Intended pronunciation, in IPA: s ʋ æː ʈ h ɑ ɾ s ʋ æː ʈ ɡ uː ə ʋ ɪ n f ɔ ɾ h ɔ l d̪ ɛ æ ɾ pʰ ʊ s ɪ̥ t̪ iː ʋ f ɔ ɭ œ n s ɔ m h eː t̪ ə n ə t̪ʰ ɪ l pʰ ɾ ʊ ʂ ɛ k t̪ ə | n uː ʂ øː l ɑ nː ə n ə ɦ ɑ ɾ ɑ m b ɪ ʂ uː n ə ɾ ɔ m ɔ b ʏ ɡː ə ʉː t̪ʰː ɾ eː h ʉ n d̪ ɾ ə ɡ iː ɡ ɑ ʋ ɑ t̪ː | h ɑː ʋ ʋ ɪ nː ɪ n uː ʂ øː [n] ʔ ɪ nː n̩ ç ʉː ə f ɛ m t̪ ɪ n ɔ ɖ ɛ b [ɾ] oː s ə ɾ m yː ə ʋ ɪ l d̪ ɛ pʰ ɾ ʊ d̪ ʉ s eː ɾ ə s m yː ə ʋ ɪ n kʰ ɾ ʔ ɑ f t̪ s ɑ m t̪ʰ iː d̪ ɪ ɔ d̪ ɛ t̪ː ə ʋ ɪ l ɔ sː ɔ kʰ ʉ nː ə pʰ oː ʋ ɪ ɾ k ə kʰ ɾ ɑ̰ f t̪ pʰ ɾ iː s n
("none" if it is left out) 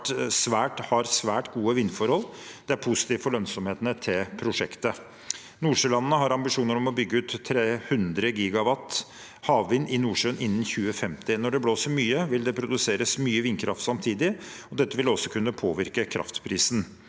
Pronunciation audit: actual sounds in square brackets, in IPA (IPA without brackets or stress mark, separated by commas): n, l